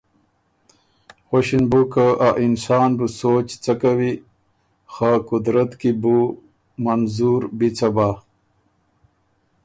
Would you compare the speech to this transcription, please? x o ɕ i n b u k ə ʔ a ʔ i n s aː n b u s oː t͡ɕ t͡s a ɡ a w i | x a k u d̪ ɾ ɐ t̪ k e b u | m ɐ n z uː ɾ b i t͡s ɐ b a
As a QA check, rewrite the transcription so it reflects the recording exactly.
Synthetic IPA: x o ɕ i n b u k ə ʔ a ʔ i n s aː n b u s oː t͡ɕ t͡s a k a w i | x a k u d̪ ɾ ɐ t̪ k i b u | m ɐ n z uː ɾ b i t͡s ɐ b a